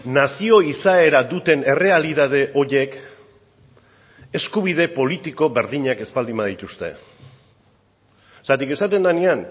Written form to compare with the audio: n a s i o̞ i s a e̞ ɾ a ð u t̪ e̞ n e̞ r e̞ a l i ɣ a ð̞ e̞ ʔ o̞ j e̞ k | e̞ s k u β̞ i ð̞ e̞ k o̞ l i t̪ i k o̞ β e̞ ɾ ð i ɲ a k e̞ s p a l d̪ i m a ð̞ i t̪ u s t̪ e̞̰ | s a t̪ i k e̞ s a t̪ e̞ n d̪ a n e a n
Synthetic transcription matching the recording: n a s i o̞ i s a e̞ ɾ a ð u t̪ e̞ n e̞ r e̞ a l i ð a ð̞ e̞ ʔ o̞ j e̞ k | e̞ s k u β̞ i ð̞ e̞ p o̞ l i t̪ i k o̞ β e̞ ɾ ð i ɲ a k e̞ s p a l d̪ i m a ð̞ i t̪ u s t̪ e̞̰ | s a t̪ i k e̞ s a t̪ e̞ n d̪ a n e a n